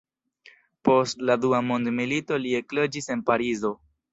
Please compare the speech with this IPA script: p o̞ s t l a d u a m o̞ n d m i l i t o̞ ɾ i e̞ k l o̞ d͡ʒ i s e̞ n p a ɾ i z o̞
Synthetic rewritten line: p o̞ s t l a d u a m o̞ n d m i l i t o̞ l i e̞ k l o̞ d͡ʒ i s e̞ n p a ɾ i z o̞